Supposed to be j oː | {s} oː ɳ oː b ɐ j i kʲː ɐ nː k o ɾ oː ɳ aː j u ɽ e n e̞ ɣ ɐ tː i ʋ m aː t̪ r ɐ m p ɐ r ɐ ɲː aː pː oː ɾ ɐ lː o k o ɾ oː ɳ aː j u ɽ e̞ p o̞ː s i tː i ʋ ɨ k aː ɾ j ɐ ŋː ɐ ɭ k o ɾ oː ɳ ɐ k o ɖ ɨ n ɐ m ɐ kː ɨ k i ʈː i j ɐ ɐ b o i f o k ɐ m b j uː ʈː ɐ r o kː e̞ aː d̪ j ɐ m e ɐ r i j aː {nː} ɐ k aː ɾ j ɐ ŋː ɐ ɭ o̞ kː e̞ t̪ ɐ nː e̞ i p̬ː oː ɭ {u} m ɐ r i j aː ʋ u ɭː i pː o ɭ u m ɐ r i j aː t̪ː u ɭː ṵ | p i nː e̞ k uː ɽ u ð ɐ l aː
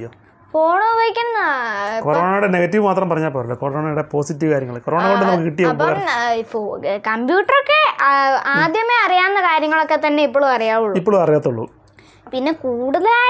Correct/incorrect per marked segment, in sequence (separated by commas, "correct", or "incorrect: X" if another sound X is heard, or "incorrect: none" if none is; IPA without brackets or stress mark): incorrect: f, correct, correct